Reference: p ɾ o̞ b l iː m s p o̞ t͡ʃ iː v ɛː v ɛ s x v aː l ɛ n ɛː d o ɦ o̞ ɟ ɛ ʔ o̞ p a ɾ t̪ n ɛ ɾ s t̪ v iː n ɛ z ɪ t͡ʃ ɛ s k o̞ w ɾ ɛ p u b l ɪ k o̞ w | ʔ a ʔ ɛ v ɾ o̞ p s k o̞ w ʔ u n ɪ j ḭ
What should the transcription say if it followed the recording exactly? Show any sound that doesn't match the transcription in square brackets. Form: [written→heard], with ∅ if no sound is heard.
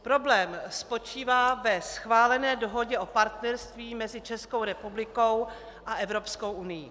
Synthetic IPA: p ɾ o̞ b l [iː→ɛː] m s p o̞ t͡ʃ iː v [ɛː→aː] v ɛ s x v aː l ɛ n ɛː d o ɦ o̞ ɟ ɛ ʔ o̞ p a ɾ t̪ n ɛ ɾ s t̪ v iː [n→m] ɛ z ɪ t͡ʃ ɛ s k o̞ w ɾ ɛ p u b l ɪ k o̞ w | ʔ a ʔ ɛ v ɾ o̞ p s k o̞ w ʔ u n ɪ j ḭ